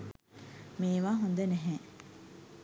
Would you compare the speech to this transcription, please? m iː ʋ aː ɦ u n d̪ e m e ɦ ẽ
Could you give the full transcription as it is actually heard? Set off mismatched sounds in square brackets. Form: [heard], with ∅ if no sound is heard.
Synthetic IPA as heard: m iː ʋ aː ɦ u n d̪ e [n] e ɦ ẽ